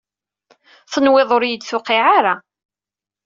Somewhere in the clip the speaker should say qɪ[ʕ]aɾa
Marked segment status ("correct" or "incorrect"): correct